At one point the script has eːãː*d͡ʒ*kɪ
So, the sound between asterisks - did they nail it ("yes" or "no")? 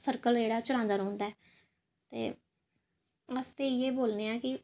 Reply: no